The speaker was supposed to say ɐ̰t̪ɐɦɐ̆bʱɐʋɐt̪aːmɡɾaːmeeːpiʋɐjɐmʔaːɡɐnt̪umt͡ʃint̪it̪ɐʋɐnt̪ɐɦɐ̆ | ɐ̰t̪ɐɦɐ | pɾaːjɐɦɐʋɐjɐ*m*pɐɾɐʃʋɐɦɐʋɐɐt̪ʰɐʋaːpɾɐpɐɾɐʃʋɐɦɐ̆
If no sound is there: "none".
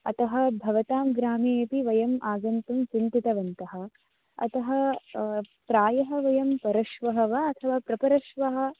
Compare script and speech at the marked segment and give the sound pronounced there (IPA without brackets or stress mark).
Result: m